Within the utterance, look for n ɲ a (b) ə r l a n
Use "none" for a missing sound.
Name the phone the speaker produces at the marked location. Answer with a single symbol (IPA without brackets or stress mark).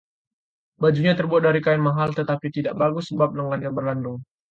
b